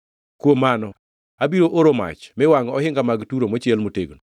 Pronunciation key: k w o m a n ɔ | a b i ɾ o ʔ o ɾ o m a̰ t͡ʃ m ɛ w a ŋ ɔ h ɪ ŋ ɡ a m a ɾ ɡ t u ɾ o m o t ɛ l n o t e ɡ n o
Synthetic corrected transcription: k w o m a n ɔ | a b i ɾ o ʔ o ɾ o m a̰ t͡ʃ m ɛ w a ŋ ɔ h ɪ ŋ ɡ a m a ɡ t u ɾ o m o t͡ʃ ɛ l m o t e ɡ n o